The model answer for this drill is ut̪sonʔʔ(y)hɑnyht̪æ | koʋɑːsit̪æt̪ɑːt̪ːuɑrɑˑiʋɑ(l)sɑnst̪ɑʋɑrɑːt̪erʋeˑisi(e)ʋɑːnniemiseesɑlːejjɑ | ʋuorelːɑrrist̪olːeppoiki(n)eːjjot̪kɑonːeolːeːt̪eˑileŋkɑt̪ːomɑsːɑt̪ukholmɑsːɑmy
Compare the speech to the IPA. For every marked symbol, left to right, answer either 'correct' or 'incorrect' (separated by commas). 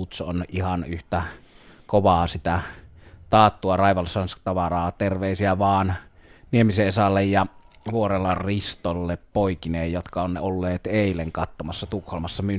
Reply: incorrect, correct, incorrect, correct